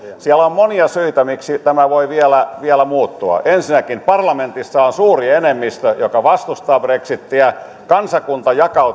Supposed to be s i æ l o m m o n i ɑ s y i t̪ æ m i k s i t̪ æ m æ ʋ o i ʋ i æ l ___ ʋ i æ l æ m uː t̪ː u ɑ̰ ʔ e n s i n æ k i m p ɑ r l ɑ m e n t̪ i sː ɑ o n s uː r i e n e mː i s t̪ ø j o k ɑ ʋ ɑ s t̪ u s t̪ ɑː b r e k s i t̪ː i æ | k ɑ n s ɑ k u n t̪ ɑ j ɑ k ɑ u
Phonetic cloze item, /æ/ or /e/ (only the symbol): æ